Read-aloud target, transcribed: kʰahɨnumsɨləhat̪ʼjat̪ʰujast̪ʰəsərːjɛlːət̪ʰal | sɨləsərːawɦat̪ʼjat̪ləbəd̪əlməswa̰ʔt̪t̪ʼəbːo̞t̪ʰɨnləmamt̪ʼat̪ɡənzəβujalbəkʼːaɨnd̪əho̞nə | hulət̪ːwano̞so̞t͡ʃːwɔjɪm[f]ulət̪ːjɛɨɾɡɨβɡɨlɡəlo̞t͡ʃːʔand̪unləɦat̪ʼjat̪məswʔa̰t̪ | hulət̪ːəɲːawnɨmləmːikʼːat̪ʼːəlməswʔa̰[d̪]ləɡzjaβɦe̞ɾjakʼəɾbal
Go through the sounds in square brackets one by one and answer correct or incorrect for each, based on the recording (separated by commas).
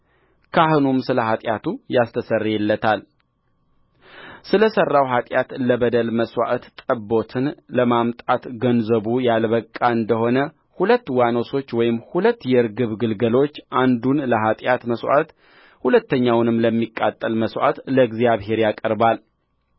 incorrect, incorrect